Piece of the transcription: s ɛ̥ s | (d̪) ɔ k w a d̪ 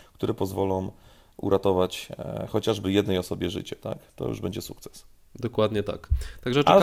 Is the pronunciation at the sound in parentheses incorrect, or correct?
correct